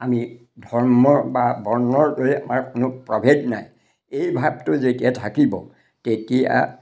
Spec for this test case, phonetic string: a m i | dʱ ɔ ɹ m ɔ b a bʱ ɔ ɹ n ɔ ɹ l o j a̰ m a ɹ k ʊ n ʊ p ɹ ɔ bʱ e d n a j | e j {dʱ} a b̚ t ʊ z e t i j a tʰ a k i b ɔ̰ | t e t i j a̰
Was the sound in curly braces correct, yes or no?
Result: no